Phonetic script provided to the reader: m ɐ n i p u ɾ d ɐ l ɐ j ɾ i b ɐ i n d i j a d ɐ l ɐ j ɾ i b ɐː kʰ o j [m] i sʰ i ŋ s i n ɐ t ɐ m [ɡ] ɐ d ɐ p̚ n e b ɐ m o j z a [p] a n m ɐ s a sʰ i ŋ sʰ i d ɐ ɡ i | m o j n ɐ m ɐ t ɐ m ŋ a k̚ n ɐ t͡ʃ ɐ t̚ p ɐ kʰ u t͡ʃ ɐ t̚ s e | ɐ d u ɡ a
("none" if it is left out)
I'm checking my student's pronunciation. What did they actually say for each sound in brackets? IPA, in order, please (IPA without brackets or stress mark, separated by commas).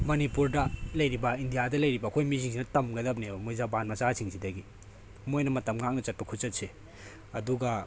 m, ɡ, b